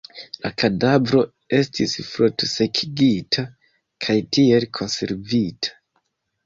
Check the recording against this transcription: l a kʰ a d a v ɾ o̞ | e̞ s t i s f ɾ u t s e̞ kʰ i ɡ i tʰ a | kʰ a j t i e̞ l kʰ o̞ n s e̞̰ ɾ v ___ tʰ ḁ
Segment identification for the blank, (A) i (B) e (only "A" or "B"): A